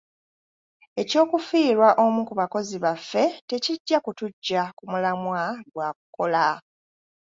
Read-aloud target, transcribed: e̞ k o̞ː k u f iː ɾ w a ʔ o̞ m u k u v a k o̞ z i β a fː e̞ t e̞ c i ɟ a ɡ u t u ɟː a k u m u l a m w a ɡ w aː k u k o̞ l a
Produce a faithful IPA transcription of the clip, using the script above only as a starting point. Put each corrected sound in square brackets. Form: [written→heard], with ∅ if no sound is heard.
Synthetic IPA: e̞ [k→c] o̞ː k u f iː ɾ w a ʔ o̞ m u k u [v→β] a k o̞ z i β a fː e̞ t e̞ c i [ɟ→ɟː] a [ɡ→k] u t u ɟː a k u m u l a m w a ɡ w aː k u k o̞ l a